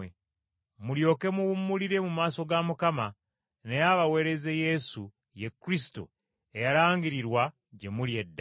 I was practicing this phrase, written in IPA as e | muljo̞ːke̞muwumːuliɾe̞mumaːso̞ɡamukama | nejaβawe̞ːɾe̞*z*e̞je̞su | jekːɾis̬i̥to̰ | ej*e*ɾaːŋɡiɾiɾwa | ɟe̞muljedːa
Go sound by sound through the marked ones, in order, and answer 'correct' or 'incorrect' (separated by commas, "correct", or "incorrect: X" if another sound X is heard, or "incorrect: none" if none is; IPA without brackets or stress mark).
correct, incorrect: a